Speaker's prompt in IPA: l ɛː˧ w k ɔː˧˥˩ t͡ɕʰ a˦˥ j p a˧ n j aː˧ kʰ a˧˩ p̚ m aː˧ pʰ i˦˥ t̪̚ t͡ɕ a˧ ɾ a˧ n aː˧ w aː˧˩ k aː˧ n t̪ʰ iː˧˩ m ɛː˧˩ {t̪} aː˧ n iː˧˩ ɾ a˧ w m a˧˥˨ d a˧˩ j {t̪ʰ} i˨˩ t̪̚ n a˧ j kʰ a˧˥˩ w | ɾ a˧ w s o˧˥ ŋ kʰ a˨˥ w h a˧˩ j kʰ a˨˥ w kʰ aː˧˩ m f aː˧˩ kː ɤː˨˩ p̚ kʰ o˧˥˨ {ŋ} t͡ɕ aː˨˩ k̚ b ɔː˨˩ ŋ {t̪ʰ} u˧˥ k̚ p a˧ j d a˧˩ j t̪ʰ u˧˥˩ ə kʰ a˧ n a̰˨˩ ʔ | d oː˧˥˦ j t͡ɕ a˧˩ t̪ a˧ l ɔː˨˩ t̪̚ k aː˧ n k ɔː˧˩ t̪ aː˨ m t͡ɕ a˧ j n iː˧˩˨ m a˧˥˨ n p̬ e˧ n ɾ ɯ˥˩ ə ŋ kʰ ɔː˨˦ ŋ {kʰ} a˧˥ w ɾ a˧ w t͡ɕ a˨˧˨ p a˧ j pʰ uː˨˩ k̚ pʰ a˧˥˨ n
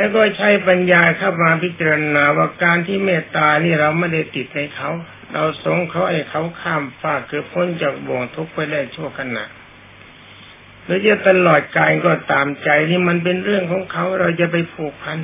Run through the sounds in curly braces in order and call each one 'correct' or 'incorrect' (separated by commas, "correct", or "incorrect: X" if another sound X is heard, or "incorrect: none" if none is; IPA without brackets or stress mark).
correct, incorrect: t̪, incorrect: n, correct, correct